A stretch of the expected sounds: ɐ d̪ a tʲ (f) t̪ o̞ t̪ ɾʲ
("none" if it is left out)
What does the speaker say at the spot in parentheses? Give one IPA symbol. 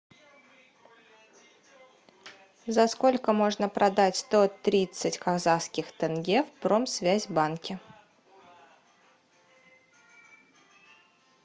s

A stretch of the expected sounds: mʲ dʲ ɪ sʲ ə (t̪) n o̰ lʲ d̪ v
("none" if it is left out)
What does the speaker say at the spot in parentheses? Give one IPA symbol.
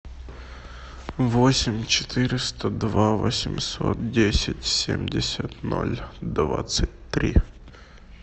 t̪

